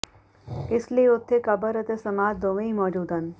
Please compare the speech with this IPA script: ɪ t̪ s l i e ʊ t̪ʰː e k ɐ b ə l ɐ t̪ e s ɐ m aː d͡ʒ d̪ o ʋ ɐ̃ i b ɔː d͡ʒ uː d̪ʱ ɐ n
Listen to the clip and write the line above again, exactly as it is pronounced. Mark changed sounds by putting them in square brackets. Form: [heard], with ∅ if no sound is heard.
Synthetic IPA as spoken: ɪ [∅] s l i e ʊ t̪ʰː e k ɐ b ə [ɾ] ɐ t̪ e s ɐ m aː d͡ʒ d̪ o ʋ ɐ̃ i [m] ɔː d͡ʒ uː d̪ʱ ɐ n

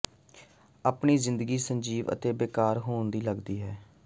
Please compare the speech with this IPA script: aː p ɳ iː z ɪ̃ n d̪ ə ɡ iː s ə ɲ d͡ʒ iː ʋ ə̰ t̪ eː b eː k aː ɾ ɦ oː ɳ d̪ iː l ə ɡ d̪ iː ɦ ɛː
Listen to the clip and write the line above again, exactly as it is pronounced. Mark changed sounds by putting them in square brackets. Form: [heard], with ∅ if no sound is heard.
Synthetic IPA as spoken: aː p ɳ iː z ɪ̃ n d̪ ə ɡ iː s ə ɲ d͡ʒ iː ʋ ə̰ t̪ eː b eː k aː ɾ ɦ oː [n] d̪ iː l ə ɡ d̪ iː ɦ ɛː

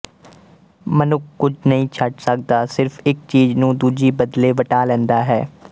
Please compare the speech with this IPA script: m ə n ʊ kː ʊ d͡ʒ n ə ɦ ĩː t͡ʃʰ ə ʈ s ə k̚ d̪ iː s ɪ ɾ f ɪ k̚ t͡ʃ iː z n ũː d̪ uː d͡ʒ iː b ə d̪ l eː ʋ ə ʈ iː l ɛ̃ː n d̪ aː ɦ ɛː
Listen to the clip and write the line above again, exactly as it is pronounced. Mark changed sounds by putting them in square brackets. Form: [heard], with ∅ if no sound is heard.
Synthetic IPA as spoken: m ə n ʊ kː ʊ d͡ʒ n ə ɦ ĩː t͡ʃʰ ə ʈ s ə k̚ d̪ [aː] s ɪ ɾ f ɪ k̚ t͡ʃ iː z n ũː d̪ uː d͡ʒ iː b ə d̪ l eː ʋ ə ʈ [aː] l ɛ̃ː n d̪ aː ɦ ɛː

